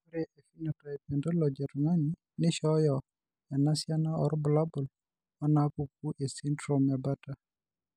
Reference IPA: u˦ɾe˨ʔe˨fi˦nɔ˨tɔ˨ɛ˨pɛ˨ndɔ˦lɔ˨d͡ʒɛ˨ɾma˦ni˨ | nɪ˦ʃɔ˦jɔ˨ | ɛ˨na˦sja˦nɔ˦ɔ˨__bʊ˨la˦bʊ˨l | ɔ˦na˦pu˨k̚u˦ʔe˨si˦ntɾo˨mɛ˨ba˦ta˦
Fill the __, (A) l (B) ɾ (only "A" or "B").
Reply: B